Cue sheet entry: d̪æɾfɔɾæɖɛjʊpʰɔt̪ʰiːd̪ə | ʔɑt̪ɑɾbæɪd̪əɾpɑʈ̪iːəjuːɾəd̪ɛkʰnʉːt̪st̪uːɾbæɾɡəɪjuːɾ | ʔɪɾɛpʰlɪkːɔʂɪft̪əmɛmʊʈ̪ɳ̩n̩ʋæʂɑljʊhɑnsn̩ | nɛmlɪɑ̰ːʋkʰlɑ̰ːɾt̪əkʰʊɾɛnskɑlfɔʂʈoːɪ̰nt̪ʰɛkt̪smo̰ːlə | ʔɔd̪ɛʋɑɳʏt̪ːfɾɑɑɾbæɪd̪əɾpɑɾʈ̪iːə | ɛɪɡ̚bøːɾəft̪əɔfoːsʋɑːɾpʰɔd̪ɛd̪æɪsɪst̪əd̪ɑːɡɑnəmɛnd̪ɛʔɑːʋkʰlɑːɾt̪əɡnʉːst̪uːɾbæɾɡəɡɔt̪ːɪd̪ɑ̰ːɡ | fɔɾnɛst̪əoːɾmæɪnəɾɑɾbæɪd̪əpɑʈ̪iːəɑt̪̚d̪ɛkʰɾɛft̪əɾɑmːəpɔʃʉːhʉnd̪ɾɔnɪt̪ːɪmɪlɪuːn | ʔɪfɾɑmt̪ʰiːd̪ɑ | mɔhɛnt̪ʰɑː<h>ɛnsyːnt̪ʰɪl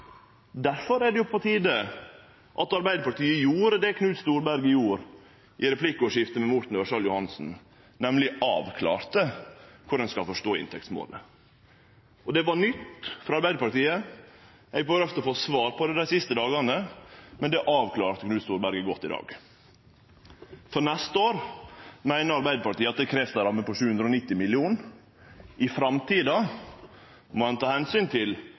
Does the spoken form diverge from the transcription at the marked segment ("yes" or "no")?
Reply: no